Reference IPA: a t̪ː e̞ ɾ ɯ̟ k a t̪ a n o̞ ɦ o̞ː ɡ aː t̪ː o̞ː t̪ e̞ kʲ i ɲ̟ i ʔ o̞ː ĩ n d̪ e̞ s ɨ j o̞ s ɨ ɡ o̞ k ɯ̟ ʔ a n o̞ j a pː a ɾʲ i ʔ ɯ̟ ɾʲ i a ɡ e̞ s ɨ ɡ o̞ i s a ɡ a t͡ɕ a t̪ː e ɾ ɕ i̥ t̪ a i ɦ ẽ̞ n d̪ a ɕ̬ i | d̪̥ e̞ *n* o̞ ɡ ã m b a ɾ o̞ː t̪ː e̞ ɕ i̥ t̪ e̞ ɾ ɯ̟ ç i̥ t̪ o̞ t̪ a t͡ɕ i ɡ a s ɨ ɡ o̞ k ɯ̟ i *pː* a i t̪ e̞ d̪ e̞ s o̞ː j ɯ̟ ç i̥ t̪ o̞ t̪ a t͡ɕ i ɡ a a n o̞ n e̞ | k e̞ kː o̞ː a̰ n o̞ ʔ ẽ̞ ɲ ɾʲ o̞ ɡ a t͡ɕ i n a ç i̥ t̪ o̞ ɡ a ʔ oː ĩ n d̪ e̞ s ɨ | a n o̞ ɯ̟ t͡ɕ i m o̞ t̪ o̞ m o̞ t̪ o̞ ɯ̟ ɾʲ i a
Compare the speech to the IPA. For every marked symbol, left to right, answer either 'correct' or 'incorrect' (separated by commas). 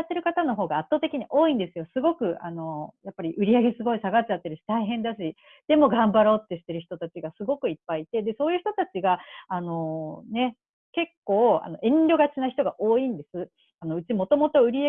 incorrect, correct